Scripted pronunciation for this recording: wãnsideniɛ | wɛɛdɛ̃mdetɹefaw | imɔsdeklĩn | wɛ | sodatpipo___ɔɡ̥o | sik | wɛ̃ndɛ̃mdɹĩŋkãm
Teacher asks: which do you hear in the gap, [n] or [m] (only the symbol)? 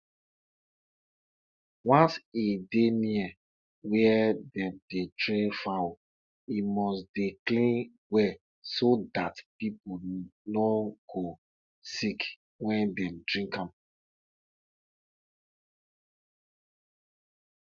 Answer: n